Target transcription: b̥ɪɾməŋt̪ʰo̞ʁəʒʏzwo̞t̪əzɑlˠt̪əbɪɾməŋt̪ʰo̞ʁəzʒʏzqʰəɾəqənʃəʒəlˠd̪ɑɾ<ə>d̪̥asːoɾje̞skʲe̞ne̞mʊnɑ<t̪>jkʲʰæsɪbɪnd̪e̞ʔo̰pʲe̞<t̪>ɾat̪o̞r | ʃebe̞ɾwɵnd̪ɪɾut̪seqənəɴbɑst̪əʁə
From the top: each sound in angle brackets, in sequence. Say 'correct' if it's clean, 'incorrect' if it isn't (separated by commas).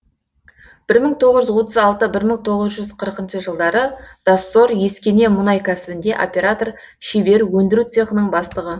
correct, incorrect, incorrect